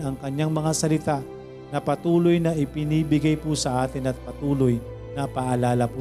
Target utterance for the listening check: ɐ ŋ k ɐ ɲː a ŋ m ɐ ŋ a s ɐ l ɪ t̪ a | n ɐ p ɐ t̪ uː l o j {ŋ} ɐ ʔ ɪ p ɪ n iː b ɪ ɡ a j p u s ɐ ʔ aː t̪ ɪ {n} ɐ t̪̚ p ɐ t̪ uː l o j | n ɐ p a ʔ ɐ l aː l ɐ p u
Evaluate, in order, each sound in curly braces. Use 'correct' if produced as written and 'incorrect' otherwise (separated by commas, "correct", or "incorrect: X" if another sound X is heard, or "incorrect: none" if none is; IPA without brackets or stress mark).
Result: incorrect: n, correct